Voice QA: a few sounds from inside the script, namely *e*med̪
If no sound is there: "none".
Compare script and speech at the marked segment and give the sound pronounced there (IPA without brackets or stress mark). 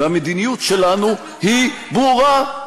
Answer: a